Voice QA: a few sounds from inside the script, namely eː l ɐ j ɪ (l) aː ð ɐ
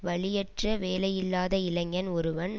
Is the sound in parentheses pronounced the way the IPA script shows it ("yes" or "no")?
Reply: no